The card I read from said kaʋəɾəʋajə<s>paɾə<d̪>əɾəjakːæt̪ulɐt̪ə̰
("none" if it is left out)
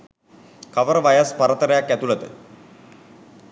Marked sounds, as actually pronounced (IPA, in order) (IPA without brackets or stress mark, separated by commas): s, t̪